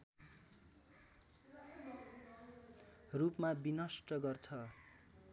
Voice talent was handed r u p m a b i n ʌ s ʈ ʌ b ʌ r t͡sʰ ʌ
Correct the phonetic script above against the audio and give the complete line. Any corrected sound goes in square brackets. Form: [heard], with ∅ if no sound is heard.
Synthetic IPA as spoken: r u p m a b i n ʌ s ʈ ʌ [ɡ] ʌ r t͡sʰ ʌ